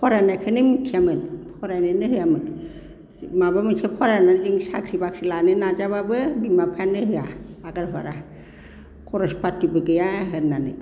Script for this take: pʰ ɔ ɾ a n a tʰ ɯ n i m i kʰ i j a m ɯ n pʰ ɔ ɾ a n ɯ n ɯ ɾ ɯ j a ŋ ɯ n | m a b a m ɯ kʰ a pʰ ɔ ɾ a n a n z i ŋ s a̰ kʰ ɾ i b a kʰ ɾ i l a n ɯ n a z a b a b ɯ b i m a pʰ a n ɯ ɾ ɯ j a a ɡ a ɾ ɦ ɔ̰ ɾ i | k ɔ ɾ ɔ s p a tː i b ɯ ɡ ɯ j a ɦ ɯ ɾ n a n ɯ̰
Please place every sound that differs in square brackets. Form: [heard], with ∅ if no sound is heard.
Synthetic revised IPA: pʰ ɔ ɾ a n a [kʰ] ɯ n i m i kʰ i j a m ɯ n pʰ ɔ ɾ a n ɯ n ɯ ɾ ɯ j a [m] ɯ n | m a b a m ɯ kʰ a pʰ ɔ ɾ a n a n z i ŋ s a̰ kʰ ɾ i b a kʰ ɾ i l a n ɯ n a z a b a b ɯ b i m a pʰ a n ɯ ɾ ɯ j a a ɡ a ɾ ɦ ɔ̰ ɾ [a] | k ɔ ɾ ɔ s p a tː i b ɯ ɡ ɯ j a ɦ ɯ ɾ n a n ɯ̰